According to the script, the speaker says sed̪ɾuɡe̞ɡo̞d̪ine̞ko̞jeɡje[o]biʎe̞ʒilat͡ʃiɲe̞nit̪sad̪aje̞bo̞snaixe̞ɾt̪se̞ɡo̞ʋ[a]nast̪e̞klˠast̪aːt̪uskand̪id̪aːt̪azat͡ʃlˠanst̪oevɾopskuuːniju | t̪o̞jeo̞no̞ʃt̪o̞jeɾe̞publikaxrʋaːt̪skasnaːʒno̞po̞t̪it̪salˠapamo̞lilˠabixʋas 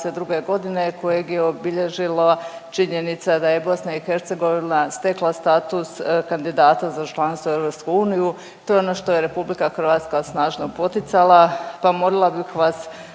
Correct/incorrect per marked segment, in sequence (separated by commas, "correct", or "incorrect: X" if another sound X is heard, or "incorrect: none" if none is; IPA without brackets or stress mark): correct, incorrect: i